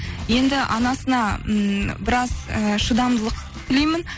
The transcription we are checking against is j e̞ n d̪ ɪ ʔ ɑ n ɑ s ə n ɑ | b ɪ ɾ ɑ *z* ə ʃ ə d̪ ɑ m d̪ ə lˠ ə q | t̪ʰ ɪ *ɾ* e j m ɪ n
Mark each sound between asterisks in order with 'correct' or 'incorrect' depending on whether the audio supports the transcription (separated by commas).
correct, incorrect